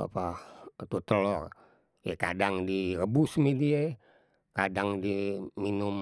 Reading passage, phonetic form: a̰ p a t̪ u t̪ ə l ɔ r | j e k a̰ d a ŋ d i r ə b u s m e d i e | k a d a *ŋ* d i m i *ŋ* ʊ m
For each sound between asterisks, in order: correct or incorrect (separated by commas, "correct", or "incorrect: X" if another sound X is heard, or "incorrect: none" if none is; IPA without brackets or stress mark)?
correct, incorrect: n